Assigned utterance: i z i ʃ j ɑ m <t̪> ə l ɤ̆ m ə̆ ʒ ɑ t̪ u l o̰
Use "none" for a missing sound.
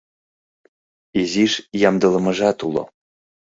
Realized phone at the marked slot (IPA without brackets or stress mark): d̪